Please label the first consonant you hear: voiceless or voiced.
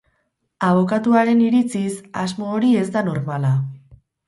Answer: voiced